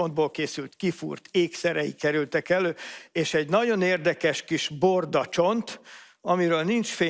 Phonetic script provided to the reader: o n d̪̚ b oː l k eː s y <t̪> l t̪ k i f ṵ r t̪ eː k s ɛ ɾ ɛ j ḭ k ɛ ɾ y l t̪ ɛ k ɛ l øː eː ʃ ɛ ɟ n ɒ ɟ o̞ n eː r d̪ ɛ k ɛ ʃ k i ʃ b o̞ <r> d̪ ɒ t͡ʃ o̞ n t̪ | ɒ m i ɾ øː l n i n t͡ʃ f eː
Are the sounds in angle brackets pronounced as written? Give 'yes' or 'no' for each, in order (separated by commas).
no, yes